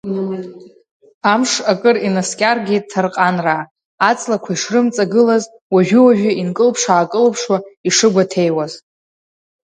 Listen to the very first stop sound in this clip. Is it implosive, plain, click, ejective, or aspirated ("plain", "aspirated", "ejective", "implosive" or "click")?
ejective